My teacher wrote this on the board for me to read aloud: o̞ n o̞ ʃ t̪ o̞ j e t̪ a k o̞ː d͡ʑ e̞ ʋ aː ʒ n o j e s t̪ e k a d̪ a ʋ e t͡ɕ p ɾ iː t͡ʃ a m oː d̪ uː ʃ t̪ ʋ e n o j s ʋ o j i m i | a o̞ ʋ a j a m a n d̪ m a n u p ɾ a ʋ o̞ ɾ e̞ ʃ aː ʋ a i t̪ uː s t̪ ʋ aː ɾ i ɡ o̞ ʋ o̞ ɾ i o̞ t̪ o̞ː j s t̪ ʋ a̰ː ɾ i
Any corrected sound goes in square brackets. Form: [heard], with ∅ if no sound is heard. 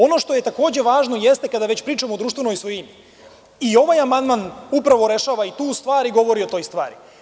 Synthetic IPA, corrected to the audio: o̞ n o̞ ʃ t̪ o̞ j e t̪ a k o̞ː d͡ʑ e̞ ʋ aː ʒ n o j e s t̪ e k a d̪ a ʋ e t͡ɕ p ɾ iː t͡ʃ a m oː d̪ uː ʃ t̪ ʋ e n o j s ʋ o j i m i | [i] o̞ ʋ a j a m a n d̪ m a n u p ɾ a ʋ o̞ ɾ e̞ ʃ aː ʋ a i t̪ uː s t̪ ʋ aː ɾ i ɡ o̞ ʋ o̞ ɾ i o̞ t̪ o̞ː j s t̪ ʋ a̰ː ɾ i